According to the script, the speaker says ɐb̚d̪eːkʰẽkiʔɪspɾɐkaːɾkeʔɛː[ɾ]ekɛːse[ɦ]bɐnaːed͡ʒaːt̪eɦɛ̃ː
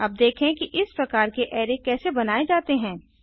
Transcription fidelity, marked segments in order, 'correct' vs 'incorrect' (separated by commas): correct, incorrect